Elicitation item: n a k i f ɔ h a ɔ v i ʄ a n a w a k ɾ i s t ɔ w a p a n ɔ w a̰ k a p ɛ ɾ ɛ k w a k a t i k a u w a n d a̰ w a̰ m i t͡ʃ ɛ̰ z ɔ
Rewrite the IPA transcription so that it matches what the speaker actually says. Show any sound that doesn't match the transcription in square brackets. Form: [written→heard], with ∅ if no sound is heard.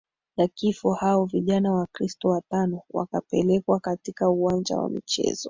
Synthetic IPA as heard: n a k i f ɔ h a ɔ v i ʄ a n a w a k ɾ i s t ɔ w a [p→t] a n ɔ w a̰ k a p ɛ [ɾ→l] ɛ k w a k a t i k a u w a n [d→d͡ʒ] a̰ w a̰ m i t͡ʃ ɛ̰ z ɔ